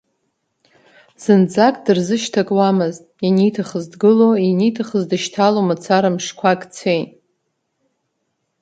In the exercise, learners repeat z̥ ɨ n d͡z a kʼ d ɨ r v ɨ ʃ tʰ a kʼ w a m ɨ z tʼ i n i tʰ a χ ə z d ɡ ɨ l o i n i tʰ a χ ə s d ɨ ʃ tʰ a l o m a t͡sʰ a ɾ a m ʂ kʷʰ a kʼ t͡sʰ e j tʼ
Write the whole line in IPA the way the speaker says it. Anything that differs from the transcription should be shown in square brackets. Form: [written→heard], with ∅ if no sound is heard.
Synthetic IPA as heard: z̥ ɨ n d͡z a kʼ d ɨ r [v→z] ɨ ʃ tʰ a kʼ w a m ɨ z tʼ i n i tʰ a χ ə z d ɡ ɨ l o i n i tʰ a χ ə [s→z] d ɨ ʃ tʰ a l o m a t͡sʰ a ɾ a m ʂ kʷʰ a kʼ t͡sʰ e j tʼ